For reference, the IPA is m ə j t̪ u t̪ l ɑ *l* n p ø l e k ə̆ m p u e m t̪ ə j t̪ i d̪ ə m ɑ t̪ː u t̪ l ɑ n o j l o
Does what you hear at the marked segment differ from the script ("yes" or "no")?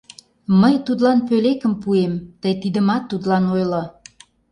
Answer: yes